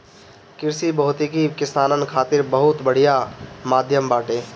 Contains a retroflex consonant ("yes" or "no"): yes